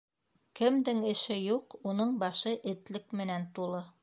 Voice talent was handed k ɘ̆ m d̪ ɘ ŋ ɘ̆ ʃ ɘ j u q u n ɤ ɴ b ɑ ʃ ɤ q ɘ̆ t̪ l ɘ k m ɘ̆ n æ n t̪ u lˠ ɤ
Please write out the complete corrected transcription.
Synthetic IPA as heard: k ɘ̆ m d̪ ɘ ŋ ɘ̆ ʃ ɘ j u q u n ɤ ɴ b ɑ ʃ ɤ ʔ ɘ̆ t̪ l ɘ k m ɘ̆ n æ n t̪ u lˠ ɤ